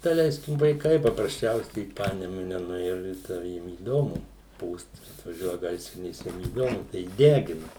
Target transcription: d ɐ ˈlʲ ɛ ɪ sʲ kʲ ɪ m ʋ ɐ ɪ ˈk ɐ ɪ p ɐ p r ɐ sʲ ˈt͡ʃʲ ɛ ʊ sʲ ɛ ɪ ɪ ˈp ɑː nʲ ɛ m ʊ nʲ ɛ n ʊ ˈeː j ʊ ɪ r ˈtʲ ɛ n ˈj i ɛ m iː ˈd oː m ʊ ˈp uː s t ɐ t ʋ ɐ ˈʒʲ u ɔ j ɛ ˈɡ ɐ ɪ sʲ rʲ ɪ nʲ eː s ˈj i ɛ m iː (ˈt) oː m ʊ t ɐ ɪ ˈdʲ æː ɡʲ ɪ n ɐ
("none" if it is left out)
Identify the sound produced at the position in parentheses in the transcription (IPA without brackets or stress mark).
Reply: d